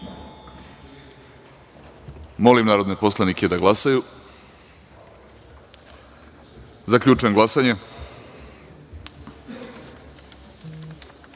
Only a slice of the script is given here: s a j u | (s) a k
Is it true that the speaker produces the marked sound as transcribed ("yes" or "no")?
no